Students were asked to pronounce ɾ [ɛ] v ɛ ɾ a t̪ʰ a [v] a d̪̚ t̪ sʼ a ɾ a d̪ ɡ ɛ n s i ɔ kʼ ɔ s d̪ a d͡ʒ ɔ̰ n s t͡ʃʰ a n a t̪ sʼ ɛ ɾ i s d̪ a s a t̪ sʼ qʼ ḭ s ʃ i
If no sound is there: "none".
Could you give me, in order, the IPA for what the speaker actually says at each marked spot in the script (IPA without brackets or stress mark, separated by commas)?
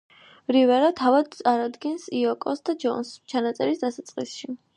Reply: i, v